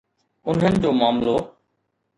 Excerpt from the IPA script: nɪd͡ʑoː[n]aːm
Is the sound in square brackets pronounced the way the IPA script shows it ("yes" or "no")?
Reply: no